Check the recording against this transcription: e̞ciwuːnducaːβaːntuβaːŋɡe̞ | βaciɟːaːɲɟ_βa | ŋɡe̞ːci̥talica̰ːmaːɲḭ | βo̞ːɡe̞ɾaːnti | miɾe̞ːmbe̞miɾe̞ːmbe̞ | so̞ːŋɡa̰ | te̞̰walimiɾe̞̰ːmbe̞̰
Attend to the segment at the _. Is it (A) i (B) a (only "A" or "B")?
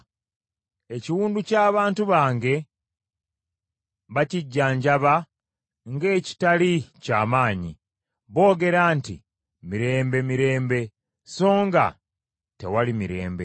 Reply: B